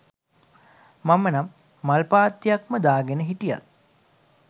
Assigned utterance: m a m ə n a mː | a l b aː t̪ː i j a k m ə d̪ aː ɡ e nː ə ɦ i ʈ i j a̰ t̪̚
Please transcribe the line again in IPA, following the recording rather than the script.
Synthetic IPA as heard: m a m ə n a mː | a l p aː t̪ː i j a k m ə d̪ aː ɡ e n ə ɦ i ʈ i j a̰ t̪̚